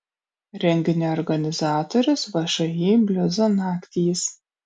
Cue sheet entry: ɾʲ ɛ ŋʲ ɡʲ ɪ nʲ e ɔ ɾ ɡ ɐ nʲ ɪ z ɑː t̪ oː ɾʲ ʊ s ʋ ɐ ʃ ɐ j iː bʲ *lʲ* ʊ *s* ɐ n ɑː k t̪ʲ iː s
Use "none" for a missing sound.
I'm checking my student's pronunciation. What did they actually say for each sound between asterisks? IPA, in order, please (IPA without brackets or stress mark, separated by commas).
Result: lʲ, z